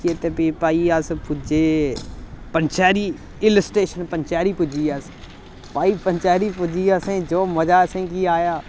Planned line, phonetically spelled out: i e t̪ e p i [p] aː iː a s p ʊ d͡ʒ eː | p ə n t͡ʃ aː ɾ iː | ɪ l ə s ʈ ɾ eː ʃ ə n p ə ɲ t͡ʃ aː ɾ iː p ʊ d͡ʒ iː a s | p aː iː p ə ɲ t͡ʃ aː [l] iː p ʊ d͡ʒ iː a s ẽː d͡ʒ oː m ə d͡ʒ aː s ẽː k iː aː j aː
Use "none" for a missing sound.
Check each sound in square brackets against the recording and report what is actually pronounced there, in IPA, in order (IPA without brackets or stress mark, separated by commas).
p, ɾ